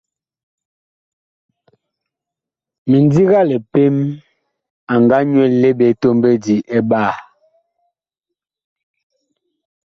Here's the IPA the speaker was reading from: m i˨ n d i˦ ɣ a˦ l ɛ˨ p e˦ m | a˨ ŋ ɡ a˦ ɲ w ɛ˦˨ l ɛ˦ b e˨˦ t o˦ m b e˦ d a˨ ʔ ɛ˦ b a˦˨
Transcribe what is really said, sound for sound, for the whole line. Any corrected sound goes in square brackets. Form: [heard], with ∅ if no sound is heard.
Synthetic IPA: m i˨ n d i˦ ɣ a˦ l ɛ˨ p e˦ m | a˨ ŋ ɡ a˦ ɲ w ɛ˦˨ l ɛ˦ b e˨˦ t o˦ m b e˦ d [i˨] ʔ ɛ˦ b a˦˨